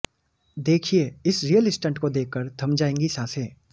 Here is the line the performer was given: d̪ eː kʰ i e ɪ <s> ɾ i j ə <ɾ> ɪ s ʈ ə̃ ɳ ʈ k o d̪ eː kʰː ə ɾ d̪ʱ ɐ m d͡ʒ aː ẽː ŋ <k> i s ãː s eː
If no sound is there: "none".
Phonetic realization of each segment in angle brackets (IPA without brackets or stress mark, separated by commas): s, l, ɡ